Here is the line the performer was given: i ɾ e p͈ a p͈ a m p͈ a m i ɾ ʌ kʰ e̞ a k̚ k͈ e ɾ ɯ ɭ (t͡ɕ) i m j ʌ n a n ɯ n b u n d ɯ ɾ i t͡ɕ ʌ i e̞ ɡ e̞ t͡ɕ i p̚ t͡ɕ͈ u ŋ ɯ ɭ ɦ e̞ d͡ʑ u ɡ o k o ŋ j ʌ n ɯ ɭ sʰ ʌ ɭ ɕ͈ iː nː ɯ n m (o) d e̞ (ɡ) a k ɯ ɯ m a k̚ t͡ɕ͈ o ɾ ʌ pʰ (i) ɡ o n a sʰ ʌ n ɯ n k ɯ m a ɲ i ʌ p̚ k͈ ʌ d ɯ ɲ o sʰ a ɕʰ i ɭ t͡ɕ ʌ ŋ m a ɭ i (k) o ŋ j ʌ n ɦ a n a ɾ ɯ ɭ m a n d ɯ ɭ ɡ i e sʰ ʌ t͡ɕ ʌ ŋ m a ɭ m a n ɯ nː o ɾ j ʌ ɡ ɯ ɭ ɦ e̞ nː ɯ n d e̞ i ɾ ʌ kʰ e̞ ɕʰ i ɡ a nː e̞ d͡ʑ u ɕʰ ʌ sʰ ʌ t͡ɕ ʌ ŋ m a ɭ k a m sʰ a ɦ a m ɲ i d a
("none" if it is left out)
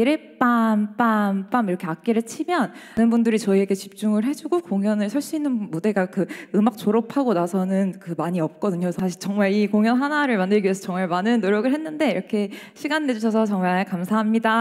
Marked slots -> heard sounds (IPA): t͡ɕʰ, u, ɡ, a, k

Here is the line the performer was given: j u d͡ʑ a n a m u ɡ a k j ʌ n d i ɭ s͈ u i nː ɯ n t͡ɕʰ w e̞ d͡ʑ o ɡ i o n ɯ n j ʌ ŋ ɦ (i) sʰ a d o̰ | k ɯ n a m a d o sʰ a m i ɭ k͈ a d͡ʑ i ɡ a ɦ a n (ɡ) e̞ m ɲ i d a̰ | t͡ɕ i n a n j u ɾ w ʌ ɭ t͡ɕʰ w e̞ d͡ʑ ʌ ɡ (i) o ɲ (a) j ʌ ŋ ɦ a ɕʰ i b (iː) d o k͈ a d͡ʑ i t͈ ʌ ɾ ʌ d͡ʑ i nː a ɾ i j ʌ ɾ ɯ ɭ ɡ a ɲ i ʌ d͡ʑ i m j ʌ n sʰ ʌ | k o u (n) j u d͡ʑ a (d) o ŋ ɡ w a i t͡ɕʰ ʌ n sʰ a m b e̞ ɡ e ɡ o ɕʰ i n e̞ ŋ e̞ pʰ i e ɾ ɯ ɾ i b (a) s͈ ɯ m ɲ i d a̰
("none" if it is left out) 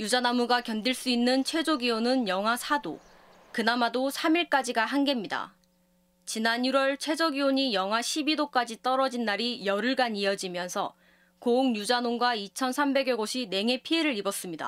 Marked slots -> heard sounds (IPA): a, ɡ, i, i, i, ŋ, n, ʌ

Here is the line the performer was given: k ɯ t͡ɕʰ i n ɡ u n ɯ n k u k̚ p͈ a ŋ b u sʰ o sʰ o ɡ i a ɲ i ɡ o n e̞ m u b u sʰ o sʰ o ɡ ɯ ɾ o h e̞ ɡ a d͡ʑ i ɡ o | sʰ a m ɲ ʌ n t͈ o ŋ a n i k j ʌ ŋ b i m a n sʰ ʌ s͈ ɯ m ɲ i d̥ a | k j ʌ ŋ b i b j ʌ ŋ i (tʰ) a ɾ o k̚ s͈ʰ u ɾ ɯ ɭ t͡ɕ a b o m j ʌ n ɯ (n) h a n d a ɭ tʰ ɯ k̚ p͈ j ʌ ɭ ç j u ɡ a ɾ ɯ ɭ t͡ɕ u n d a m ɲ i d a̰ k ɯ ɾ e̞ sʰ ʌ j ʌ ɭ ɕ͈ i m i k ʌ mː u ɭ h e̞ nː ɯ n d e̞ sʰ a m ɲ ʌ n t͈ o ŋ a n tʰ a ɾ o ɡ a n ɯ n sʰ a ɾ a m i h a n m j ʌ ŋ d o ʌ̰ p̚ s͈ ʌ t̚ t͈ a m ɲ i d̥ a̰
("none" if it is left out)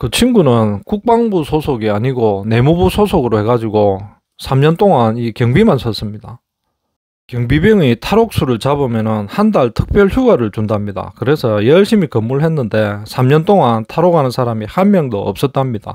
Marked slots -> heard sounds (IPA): tʰ, n

